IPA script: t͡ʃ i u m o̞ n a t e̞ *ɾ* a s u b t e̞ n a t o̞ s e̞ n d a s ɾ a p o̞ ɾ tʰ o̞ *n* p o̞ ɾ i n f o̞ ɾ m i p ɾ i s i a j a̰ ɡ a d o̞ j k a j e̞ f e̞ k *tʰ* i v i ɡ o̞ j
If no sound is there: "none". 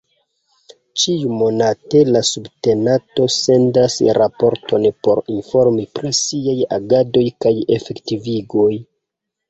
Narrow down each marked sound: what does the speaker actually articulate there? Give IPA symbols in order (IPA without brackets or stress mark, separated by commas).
l, n, t